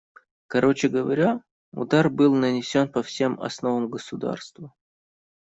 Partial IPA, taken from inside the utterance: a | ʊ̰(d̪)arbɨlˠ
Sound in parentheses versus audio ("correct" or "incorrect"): correct